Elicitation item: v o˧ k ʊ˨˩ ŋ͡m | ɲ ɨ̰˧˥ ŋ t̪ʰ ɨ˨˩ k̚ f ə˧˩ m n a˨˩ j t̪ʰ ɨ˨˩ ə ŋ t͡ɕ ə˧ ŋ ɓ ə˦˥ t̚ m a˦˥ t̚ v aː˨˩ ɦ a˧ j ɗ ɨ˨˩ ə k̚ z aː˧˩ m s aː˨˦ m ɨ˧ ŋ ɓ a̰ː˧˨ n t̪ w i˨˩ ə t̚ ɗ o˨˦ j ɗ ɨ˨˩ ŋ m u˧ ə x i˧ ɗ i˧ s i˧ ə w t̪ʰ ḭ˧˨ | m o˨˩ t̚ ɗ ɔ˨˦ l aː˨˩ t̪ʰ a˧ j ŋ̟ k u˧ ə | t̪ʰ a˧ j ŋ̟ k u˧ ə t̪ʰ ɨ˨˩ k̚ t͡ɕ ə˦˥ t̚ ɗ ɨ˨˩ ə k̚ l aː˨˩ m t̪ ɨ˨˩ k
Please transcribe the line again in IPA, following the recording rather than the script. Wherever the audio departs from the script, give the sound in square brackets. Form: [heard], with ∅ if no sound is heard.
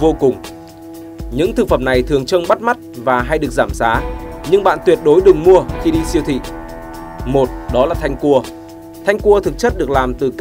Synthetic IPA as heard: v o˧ k ʊ˨˩ ŋ͡m | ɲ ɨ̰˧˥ ŋ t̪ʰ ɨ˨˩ k̚ f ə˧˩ m n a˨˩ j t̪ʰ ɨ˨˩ ə ŋ t͡ɕ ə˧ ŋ ɓ [a˦˥] t̚ m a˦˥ t̚ v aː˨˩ ɦ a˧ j ɗ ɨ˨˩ ə k̚ z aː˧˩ m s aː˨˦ [ɲ] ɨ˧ ŋ ɓ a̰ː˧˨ n t̪ w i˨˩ ə t̚ ɗ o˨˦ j ɗ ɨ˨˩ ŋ m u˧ ə x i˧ ɗ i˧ s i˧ ə w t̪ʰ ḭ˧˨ | m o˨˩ t̚ ɗ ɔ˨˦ l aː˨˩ t̪ʰ a˧ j ŋ̟ k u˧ ə | t̪ʰ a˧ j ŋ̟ k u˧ ə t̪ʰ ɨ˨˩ k̚ t͡ɕ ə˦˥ t̚ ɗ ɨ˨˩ ə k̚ l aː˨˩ m t̪ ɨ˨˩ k